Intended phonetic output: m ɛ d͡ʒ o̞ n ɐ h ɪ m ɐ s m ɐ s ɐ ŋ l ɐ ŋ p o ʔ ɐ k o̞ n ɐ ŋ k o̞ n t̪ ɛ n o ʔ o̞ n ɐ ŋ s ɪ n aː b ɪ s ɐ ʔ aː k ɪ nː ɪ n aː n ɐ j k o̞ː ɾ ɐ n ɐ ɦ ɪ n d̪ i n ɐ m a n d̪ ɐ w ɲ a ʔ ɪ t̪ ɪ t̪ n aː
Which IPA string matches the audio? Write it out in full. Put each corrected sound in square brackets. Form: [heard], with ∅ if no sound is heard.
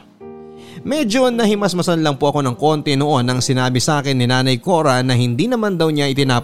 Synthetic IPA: m ɛ d͡ʒ o̞ n ɐ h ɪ m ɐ s m ɐ s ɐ [n] l ɐ ŋ p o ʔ ɐ k o̞ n ɐ ŋ k o̞ n t̪ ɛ n o ʔ o̞ n ɐ ŋ s ɪ n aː b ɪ s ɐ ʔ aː k ɪ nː ɪ n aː n ɐ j k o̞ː ɾ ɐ n ɐ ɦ ɪ n d̪ i n ɐ m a n d̪ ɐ w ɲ a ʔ ɪ t̪ ɪ [∅] n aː